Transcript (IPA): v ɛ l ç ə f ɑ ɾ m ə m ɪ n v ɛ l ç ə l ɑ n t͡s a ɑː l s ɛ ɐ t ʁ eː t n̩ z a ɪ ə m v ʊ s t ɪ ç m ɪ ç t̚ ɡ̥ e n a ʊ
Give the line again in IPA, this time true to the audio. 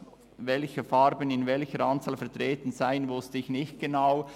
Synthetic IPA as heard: v ɛ l ç ə f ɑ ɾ b ə n ɪ n v ɛ l ç ə ɾ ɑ n t͡s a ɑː l f ɛ ɐ t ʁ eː t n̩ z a ɪ ə n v ʊ s t ɪ ç n ɪ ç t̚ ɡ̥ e n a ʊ